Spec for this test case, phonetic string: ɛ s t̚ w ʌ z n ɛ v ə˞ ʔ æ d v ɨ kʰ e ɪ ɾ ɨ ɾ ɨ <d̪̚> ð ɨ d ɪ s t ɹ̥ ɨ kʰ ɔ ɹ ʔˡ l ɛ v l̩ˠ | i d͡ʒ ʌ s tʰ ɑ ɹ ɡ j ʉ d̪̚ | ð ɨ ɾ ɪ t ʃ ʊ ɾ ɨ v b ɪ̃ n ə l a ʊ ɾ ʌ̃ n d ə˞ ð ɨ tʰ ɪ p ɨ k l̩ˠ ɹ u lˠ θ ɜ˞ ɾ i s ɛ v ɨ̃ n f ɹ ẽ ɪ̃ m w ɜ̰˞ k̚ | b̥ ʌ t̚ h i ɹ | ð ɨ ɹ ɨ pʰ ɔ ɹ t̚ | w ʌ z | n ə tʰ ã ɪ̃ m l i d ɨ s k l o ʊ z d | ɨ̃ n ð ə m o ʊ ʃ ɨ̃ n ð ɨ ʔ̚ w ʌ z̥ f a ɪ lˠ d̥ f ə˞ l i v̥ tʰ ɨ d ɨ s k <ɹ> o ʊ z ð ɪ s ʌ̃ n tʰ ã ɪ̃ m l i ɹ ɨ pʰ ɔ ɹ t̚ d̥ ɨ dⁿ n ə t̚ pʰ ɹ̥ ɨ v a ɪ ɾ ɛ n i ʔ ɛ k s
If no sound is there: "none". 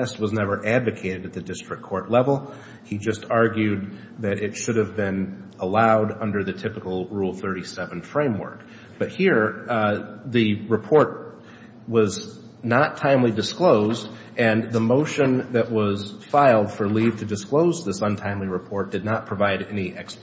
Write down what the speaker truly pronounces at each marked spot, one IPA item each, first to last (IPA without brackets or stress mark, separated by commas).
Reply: t̪̚, l